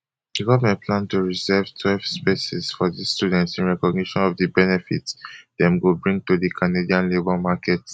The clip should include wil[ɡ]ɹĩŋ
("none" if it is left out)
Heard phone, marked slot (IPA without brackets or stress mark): b